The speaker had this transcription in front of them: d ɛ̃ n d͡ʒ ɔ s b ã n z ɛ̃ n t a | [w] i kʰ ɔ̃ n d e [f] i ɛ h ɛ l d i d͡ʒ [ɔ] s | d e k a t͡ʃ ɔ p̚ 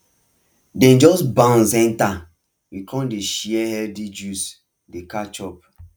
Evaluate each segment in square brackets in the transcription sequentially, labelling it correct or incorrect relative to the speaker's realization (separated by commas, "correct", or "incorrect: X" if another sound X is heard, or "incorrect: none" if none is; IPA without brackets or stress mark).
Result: correct, incorrect: ʃ, incorrect: u